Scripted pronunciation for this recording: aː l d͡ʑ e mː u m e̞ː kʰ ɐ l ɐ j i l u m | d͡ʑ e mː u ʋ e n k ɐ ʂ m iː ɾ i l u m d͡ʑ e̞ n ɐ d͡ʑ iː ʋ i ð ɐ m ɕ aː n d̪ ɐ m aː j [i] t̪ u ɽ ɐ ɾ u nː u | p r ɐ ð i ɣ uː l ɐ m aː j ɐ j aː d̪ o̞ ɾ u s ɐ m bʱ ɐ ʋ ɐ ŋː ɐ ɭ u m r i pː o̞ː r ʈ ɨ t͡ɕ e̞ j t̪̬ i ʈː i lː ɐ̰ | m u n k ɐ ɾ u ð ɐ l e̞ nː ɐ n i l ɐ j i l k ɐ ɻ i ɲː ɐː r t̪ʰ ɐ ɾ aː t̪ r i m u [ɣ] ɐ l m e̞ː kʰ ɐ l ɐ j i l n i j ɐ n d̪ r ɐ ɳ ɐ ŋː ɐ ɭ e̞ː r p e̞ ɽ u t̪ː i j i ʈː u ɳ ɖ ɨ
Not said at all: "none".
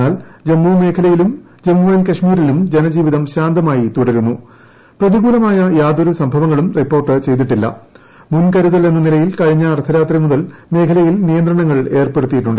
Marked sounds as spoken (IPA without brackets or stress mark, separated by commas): i, ð